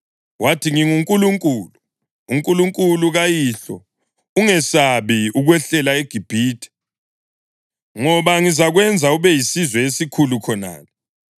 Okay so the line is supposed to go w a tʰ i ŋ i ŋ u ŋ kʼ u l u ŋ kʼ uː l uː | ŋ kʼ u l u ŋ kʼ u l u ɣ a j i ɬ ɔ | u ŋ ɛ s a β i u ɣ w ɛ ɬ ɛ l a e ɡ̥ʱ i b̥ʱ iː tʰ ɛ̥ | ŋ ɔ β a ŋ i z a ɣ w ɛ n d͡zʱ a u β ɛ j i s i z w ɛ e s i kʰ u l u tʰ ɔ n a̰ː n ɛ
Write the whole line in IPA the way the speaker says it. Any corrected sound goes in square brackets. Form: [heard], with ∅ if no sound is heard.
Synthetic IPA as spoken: w a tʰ i ŋ i ŋ u ŋ kʼ u l u ŋ kʼ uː l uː | ŋ kʼ u l u ŋ kʼ u l u ɣ a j i ɬ ɔ | u ŋ ɛ s a β i u ɣ w ɛ ɬ ɛ l a e ɡ̥ʱ i b̥ʱ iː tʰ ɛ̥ | ŋ ɔ β a ŋ i z a ɣ w ɛ n d͡zʱ a u β ɛ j i s i z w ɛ e s i kʰ u l u [kʰ] ɔ n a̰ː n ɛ